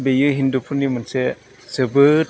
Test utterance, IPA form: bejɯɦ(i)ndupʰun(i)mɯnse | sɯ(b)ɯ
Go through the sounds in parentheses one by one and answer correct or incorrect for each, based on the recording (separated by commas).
correct, correct, correct